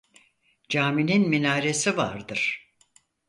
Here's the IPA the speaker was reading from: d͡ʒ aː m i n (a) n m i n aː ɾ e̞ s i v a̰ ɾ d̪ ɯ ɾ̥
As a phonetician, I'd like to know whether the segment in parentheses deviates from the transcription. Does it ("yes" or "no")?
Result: yes